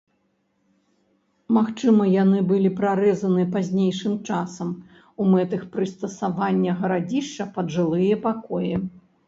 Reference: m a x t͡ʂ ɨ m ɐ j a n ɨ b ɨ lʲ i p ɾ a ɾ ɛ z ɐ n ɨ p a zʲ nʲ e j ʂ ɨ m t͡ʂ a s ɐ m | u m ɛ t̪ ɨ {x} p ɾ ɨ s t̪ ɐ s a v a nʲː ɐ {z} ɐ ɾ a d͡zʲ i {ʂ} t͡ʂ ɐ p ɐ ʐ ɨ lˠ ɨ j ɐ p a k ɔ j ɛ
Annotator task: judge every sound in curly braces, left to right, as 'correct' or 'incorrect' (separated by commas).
correct, incorrect, correct